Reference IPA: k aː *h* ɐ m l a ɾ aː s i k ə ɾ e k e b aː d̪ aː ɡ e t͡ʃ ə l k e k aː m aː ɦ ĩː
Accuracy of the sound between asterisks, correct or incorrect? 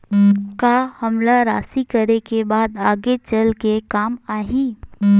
correct